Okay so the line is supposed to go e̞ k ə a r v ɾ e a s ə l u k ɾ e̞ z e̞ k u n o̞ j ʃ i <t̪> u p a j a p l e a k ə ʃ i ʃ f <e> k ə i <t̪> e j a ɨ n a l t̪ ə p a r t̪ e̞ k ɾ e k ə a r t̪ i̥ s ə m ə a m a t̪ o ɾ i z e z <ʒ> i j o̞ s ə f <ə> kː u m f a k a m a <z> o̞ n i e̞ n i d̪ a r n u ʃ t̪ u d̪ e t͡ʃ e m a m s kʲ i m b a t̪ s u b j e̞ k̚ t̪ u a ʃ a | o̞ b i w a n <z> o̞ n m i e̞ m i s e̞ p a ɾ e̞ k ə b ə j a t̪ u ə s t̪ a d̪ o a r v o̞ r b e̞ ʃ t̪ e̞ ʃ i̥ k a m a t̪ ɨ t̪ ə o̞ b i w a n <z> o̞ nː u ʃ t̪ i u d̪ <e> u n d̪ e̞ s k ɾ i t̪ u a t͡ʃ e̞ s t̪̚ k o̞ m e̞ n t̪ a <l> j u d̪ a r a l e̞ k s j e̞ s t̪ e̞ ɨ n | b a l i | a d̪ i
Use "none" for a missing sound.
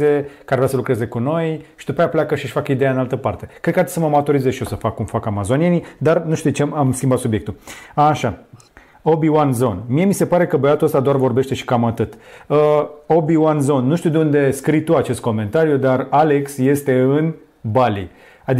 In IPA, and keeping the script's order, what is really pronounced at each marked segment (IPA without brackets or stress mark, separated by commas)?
d̪, a, d̪, ʃ, a, z, z, z, e, ɾ